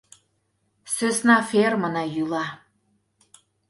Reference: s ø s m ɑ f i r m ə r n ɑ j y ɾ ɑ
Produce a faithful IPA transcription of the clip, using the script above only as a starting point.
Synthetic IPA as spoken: s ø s n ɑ f e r m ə n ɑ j y l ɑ

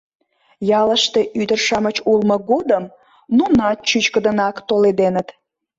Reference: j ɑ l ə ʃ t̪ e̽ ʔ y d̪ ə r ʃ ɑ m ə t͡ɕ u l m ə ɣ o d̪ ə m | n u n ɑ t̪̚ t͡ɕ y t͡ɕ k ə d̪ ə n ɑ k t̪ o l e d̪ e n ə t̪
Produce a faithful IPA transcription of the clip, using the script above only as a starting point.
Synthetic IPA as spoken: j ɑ l ə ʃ t̪ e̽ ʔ y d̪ ə r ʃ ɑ m ə t͡ɕ u l m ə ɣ o d̪ ə m | n u n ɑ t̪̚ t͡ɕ y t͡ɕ k ə d̪ ə n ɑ k t̪ o l e d̪ e n ə t̪

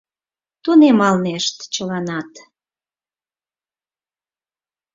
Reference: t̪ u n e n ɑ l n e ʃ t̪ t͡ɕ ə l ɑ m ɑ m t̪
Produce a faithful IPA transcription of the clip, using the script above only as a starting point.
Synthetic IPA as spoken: t̪ u n e m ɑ l n e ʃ t̪ t͡ɕ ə l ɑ n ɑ t̪

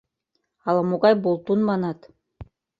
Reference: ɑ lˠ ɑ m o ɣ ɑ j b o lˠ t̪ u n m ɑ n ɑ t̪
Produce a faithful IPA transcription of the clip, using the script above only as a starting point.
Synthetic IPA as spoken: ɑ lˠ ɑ m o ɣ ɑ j b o lˠ t̪ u n m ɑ n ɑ t̪

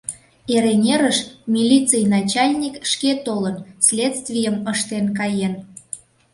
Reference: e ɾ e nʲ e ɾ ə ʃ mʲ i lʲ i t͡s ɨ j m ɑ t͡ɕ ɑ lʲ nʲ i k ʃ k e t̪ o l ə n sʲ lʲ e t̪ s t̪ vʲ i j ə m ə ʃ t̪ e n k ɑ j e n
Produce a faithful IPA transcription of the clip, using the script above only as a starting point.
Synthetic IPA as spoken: e ɾ e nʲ e ɾ ə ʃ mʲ i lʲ i t͡s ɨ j n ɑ t͡ɕ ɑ lʲ nʲ i k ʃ k e t̪ o l ə n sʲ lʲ e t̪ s t̪ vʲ i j ə m ə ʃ t̪ e n k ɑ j e n

